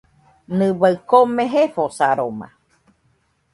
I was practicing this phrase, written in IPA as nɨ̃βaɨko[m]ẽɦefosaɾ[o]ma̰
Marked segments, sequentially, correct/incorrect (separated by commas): correct, correct